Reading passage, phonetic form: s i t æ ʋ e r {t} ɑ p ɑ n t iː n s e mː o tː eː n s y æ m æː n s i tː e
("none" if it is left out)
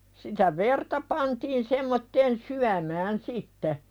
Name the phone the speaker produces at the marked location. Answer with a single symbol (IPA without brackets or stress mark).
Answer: t